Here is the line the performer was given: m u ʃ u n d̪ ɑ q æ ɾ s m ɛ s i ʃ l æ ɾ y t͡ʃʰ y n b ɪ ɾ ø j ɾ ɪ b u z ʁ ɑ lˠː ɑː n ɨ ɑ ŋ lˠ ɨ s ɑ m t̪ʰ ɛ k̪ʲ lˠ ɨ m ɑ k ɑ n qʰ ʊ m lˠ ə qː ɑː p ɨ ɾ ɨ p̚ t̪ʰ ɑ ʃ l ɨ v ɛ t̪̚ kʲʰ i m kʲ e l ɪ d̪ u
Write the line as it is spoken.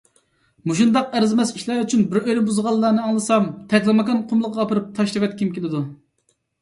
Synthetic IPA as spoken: m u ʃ u n d̪ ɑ q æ ɾ z m ɛ s i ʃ l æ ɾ y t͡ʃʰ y n b ɪ ɾ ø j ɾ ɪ b u z ʁ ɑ lˠː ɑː n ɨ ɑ ŋ lˠ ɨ s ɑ m t̪ʰ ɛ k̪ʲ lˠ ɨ m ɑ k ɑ n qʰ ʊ m lˠ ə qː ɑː p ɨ ɾ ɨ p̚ t̪ʰ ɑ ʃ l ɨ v ɛ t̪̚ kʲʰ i m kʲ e l ɪ d̪ u

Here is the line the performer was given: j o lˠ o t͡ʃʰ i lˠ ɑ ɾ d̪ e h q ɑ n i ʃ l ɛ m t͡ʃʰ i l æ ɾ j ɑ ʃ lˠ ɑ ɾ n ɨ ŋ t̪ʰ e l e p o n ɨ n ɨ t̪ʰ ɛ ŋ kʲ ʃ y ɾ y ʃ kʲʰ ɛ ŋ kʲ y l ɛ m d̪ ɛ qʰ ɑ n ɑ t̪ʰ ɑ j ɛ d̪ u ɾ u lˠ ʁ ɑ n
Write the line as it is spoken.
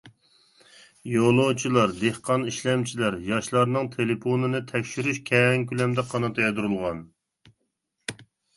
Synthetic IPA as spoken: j o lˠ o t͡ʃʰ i lˠ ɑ ɾ d̪ e h q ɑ n i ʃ l ɛ m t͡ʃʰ i l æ ɾ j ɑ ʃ lˠ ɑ ɾ n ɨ ŋ t̪ʰ e l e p o n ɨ n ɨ t̪ʰ ɛ kʲ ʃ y ɾ y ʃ kʲʰ ɛ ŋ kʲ y l ɛ m d̪ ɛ qʰ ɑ n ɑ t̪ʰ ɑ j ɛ d̪ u ɾ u lˠ ʁ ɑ n

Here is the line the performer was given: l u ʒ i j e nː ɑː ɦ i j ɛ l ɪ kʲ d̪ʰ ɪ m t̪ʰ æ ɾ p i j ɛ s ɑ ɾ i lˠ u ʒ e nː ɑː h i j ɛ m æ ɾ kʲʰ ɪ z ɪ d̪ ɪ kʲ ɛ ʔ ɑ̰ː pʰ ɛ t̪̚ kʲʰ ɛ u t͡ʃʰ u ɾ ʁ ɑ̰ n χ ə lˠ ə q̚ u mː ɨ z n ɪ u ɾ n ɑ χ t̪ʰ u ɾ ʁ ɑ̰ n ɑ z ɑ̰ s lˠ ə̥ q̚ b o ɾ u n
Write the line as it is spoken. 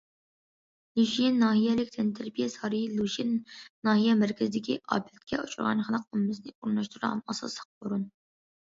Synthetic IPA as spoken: l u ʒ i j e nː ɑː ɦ i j ɛ l ɪ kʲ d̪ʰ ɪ n t̪ʰ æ ɾ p i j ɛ s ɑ ɾ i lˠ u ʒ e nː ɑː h i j ɛ m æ ɾ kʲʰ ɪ z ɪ d̪ ɪ kʲ i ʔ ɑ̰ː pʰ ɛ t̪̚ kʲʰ ɛ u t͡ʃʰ u ɾ ʁ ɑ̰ n χ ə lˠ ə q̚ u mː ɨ z n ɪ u ɾ n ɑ ʃ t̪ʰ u ɾ ʁ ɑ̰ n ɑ s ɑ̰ s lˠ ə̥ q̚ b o ɾ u n

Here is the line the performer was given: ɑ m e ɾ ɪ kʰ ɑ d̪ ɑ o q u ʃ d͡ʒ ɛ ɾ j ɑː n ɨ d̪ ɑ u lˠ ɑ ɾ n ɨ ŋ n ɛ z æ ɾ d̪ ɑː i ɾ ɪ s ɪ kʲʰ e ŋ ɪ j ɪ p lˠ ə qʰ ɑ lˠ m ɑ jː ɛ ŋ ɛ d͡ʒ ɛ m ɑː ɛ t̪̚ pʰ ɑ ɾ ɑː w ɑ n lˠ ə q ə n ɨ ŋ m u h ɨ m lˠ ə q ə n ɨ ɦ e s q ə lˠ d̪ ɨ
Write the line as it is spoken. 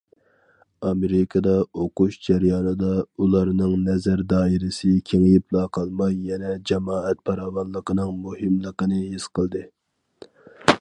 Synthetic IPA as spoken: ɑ m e ɾ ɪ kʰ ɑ d̪ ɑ o q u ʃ d͡ʒ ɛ ɾ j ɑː n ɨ d̪ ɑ u lˠ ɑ ɾ n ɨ ŋ n ɛ z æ ɾ d̪ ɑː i ɾ ɪ s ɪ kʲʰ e ŋ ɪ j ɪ p lˠ ɑ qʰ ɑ lˠ m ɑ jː ɛ n ɛ d͡ʒ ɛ m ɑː ɛ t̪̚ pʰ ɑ ɾ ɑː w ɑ n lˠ ə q ə n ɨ ŋ m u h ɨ m lˠ ə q ə n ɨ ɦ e s q ə lˠ d̪ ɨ

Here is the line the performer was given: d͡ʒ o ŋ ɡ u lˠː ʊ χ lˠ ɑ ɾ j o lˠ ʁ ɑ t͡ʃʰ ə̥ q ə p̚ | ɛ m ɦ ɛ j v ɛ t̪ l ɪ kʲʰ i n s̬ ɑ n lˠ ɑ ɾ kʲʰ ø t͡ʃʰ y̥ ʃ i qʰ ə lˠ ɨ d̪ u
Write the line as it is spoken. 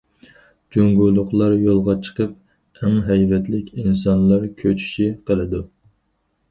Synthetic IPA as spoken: d͡ʒ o ŋ ɡ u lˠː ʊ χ lˠ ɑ ɾ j o lˠ ʁ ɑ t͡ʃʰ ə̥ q ə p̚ | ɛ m ɦ ɛ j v ɛ t̪ l ɪ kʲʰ i n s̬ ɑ n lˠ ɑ ɾ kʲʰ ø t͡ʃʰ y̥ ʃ i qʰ ə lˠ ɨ d̪ u

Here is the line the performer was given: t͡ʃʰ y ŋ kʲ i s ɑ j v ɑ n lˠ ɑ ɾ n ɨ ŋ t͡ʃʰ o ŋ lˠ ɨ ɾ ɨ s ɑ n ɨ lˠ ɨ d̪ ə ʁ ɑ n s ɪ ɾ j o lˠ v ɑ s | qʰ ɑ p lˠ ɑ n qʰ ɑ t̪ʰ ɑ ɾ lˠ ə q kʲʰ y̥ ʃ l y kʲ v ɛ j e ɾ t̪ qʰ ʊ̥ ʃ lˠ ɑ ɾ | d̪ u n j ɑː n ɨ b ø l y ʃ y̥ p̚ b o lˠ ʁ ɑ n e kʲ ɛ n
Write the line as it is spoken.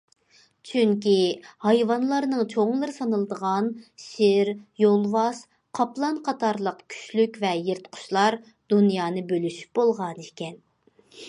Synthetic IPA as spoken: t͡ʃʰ y ŋ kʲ i h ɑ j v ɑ n lˠ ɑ ɾ n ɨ ŋ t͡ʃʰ o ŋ lˠ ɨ ɾ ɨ s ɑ n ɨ lˠ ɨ d̪ ə ʁ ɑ n ʃ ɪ ɾ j o lˠ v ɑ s | qʰ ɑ p lˠ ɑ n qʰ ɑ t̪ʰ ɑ ɾ lˠ ə q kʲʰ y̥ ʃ l y kʲ v ɛ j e ɾ t̪ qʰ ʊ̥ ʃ lˠ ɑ ɾ | d̪ u n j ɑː n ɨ b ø l y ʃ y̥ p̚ b o lˠ ʁ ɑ n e kʲ ɛ n

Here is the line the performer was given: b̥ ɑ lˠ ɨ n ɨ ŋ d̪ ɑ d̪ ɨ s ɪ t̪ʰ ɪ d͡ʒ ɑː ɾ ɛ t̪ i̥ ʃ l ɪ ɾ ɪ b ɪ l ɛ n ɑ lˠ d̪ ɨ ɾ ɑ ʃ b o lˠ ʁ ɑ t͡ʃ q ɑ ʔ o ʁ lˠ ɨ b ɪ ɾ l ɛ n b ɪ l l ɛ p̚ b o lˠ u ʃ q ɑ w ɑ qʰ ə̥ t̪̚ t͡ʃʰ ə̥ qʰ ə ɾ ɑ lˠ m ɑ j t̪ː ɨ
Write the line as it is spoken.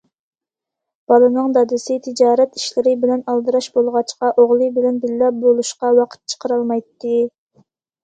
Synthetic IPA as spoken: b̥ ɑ lˠ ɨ n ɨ ŋ d̪ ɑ d̪ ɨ s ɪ t̪ʰ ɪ d͡ʒ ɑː ɾ ɛ t̪ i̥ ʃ l ɪ ɾ ɪ b ɪ l ɛ n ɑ lˠ d̪ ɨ ɾ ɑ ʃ b o lˠ ʁ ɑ t͡ʃ q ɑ ʔ o ʁ lˠ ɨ b ɪ l ɛ n b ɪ l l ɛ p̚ b o lˠ u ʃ q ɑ w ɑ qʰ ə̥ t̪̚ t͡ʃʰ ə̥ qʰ ə ɾ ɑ lˠ m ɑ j t̪ː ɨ

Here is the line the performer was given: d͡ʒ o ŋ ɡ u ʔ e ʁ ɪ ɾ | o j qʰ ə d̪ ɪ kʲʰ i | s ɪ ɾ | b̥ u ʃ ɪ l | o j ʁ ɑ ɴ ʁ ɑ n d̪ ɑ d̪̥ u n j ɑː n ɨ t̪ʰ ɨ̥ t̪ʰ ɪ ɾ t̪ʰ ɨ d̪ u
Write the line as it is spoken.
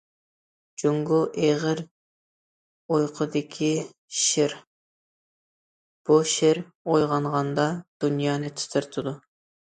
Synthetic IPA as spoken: d͡ʒ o ŋ ɡ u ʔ e ʁ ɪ ɾ | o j qʰ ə d̪ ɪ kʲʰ i | ʃ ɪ ɾ | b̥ u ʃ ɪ ɾ | o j ʁ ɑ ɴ ʁ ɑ n d̪ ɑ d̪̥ u n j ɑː n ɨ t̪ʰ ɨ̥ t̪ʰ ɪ ɾ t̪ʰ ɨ d̪ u

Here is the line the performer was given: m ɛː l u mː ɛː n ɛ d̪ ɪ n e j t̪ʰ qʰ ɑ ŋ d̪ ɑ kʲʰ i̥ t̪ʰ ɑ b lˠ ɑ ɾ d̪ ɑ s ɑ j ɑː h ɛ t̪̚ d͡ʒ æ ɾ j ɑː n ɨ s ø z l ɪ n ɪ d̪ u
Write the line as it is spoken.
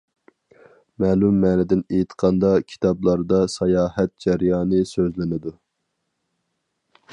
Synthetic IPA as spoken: m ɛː l u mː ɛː n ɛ d̪ ɪ n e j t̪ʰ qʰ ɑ n d̪ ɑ kʲʰ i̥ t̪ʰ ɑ b lˠ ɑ ɾ d̪ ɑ s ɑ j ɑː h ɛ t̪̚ d͡ʒ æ ɾ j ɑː n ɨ s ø z l ɪ n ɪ d̪ u

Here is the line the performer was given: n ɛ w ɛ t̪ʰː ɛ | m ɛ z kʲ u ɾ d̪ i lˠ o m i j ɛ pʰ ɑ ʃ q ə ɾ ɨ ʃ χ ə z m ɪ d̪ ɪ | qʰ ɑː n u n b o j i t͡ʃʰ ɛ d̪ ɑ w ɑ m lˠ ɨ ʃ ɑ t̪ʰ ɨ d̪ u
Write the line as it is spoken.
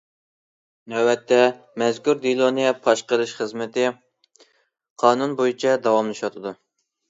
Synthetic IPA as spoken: n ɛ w ɛ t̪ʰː ɛ | m ɛ z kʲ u ɾ d̪ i lˠ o n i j ɛ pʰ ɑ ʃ q ə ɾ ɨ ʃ χ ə z m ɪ t̪ ɪ | qʰ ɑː n u n b o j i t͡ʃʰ ɛ d̪ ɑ w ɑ m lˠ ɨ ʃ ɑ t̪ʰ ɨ d̪ u

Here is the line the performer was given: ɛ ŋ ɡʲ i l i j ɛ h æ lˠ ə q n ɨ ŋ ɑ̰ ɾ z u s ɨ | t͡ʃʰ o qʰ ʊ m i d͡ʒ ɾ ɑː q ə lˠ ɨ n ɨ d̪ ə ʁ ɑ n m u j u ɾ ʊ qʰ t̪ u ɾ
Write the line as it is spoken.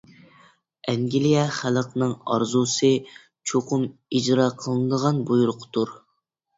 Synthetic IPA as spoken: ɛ ŋ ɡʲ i l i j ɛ χ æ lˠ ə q n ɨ ŋ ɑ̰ ɾ z u s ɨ | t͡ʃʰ o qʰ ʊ m i d͡ʒ ɾ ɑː qʰ ə lˠ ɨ n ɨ d̪ ə ʁ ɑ n b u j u ɾ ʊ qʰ t̪ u ɾ

